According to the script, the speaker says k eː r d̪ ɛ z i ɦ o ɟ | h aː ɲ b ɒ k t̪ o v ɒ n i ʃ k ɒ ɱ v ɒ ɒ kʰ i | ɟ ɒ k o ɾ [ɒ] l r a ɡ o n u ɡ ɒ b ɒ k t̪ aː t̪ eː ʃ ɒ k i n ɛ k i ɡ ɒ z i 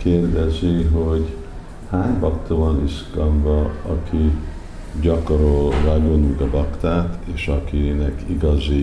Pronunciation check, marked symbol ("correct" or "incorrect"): incorrect